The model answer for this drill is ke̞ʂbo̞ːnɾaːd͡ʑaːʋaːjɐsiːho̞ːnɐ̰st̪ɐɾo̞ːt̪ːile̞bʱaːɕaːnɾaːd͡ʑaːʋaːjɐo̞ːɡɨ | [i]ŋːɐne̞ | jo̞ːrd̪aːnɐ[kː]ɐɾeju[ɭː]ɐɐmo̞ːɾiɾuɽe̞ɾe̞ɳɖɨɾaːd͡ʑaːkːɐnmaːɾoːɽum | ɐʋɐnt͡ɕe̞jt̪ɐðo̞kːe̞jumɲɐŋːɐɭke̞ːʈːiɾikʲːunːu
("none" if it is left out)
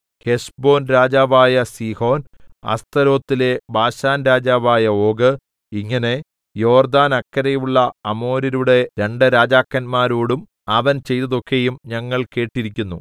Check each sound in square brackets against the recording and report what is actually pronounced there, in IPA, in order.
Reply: i, kː, ɭː

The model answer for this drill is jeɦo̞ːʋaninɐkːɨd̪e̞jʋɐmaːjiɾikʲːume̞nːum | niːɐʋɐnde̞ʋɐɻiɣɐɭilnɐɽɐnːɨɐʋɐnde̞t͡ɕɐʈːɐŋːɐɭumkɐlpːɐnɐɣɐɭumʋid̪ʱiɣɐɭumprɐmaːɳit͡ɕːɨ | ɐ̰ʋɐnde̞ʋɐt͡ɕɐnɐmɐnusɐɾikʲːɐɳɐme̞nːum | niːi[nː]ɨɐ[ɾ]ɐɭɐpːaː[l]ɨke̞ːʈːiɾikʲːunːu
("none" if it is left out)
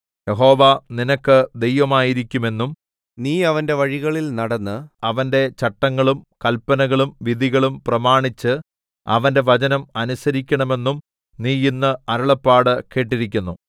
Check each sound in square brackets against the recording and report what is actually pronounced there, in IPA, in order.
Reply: nː, ɾ, ɽ

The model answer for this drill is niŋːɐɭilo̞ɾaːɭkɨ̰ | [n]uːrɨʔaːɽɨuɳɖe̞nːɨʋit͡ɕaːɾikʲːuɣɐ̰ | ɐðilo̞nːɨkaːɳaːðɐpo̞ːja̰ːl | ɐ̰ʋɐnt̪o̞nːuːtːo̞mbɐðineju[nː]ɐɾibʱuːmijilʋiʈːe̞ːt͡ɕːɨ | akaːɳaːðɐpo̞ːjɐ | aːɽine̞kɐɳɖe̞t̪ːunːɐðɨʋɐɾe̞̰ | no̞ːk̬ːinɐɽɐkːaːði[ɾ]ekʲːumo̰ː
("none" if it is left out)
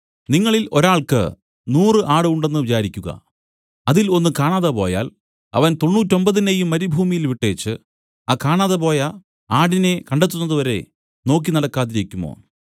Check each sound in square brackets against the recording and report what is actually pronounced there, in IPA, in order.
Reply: n, mː, ɾ

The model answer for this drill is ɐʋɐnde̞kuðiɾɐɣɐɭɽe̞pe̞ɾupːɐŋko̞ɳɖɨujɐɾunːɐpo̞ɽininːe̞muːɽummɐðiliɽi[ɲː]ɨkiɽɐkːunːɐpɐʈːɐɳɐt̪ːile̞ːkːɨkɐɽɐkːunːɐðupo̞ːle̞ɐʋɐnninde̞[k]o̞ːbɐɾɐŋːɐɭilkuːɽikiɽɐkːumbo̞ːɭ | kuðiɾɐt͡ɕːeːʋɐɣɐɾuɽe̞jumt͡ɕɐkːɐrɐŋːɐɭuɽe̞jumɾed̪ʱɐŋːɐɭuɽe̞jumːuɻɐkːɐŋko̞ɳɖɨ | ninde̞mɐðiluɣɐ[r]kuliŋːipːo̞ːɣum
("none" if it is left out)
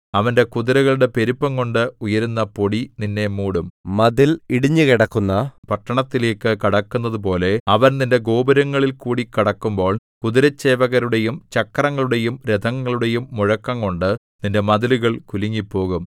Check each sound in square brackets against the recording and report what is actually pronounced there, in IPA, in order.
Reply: ɲː, ɡ, ɭ

